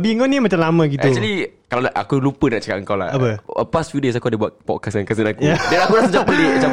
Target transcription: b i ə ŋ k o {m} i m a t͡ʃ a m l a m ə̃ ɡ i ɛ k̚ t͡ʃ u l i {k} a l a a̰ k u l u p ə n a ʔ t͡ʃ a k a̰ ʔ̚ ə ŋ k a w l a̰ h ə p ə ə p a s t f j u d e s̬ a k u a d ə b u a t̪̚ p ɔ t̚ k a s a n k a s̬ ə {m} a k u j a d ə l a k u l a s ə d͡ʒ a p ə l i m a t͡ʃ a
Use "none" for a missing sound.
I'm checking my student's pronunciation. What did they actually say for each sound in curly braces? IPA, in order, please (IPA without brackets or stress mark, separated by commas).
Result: n, k, n